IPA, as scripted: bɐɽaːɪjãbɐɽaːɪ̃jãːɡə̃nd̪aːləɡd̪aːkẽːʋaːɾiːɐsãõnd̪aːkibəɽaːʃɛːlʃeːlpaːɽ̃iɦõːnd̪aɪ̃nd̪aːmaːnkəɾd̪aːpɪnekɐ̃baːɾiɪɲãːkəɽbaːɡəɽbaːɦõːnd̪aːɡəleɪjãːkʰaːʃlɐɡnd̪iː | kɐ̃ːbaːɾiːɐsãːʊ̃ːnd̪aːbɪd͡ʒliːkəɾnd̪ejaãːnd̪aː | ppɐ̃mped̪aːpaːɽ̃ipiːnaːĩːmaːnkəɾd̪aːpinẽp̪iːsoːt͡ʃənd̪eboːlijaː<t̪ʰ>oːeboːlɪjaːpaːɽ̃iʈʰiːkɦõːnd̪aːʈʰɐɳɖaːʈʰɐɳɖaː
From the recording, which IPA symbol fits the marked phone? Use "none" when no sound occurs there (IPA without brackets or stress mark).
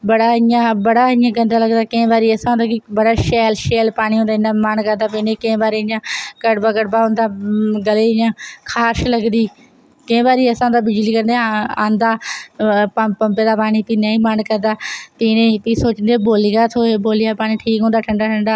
t̪ʰ